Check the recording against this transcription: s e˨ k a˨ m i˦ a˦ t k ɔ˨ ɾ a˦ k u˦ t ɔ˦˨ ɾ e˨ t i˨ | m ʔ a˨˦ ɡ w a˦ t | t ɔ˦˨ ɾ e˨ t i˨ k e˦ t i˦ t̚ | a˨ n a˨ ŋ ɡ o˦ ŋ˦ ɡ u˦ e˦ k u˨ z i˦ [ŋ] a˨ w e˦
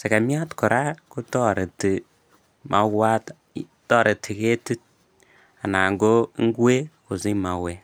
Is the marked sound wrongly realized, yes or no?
yes